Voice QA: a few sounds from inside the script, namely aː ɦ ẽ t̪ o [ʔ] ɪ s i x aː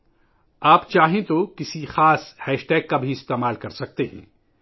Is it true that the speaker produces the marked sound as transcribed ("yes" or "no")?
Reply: no